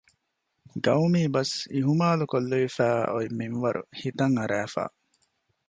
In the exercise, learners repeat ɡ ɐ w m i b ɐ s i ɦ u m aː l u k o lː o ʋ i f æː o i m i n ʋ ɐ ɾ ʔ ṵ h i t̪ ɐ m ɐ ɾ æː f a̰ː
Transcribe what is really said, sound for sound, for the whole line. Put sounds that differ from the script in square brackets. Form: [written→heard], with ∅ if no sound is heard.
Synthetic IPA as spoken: ɡ ɐ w m [i→iː] b ɐ s i ɦ u m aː l u k o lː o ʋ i f æː o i m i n ʋ ɐ ɾ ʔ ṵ h i t̪ ɐ [m→ŋ] ɐ ɾ æː f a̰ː